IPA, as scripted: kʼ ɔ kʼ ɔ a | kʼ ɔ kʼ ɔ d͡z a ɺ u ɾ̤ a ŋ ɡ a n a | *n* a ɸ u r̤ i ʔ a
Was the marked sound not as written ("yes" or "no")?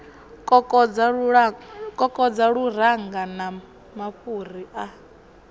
yes